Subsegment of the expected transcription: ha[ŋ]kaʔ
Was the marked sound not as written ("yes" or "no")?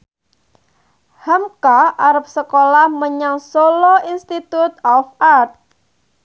yes